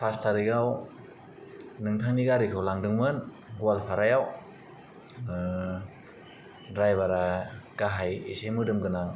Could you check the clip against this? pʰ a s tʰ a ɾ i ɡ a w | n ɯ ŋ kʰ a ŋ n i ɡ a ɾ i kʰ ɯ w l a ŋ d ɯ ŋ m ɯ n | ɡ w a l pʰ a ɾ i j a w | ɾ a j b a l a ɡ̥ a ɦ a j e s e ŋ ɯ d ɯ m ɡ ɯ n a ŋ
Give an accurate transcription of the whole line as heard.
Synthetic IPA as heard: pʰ a s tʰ a ɾ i ɡ a w | n ɯ ŋ tʰ a ŋ n i ɡ a ɾ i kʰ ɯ w l a ŋ d ɯ ŋ m ɯ n | ɡ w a l pʰ a ɾ a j a w | ɾ a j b a ɾ a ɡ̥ a ɦ a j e s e m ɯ d ɯ m ɡ ɯ n a ŋ